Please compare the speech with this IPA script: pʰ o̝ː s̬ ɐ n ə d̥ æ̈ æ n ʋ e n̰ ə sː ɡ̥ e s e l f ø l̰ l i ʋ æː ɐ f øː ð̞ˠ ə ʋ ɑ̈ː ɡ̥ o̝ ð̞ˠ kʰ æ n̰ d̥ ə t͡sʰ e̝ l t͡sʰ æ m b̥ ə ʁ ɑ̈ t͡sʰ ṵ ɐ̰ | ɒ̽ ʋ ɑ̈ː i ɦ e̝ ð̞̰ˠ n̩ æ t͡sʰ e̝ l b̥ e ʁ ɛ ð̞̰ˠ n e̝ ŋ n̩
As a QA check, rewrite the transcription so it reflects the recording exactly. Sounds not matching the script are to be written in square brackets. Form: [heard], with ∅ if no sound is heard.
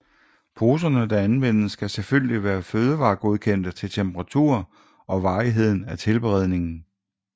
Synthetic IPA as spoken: pʰ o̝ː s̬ ɐ n ə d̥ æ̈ æ n ʋ e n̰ ə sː ɡ̥ [æ] s e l f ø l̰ l i ʋ æː ɐ f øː ð̞ˠ ə ʋ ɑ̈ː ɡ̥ o̝ ð̞ˠ kʰ [e] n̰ d̥ ə t͡sʰ e̝ l t͡sʰ [e] m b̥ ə ʁ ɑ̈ t͡sʰ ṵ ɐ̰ | ɒ̽ ʋ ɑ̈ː i ɦ e̝ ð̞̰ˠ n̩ æ t͡sʰ e̝ l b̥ e ʁ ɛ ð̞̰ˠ n e̝ ŋ n̩